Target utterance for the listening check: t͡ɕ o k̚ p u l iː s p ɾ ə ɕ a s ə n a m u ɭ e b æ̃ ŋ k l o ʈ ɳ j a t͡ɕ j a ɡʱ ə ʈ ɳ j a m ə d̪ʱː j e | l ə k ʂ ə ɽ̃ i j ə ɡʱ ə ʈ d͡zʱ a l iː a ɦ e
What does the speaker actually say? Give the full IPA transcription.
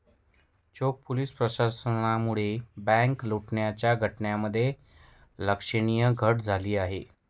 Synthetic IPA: t͡ɕ o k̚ p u l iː s p ɾ ə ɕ a s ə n a m u ɭ e b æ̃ ŋ k l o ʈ ɳ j a t͡ɕ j a ɡʱ ə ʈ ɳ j a m ə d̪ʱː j e | l ə k ʂ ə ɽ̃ i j ə ɡʱ ə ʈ d͡zʱ a l iː a ɦ e